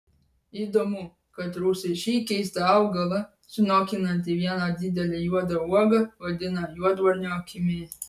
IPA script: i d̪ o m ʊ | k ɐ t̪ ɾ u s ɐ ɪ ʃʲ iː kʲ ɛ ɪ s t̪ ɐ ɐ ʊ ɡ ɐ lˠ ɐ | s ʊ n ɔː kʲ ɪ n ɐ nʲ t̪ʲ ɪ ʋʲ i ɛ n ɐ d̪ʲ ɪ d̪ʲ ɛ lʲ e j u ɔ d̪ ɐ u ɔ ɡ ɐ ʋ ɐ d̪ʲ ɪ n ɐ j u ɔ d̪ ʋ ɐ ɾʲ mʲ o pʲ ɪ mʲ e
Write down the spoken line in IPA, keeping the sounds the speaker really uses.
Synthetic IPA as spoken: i d̪ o m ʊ | k ɐ t̪ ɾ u s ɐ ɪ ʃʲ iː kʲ ɛ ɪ s t̪ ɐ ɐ ʊ ɡ ɐ lˠ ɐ | s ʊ n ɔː kʲ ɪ n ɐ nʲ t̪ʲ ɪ ʋʲ i ɛ n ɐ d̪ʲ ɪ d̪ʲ ɛ lʲ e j u ɔ d̪ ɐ u ɔ ɡ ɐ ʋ ɐ d̪ʲ ɪ n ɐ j u ɔ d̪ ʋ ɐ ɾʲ nʲ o kʲ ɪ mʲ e